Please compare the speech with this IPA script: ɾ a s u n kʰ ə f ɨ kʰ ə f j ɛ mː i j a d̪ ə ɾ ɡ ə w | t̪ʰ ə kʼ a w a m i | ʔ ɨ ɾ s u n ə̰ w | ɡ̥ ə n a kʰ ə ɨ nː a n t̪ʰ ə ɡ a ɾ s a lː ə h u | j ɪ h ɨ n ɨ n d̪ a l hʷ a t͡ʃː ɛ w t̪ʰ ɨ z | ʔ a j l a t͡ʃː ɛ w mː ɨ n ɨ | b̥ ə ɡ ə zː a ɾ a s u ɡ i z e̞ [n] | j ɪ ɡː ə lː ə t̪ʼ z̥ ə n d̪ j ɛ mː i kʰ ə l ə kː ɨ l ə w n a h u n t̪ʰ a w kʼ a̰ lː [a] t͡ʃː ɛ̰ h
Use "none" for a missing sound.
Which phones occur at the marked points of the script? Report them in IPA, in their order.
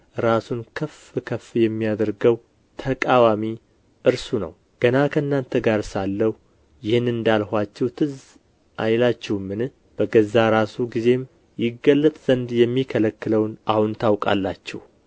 m, a

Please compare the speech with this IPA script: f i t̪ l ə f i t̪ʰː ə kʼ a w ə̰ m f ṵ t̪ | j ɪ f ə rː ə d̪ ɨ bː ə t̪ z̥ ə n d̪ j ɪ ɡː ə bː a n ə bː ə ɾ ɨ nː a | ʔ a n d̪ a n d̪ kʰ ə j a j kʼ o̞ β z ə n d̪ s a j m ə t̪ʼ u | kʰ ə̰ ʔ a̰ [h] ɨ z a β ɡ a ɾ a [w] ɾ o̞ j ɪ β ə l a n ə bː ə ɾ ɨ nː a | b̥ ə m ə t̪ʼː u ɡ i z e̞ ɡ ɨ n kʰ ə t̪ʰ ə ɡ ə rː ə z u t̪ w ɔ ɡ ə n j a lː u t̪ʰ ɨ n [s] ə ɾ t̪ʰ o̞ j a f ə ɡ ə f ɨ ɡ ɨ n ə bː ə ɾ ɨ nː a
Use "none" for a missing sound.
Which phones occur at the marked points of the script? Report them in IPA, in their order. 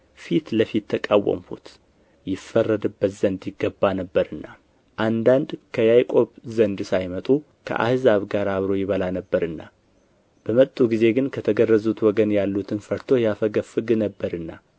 h, β, f

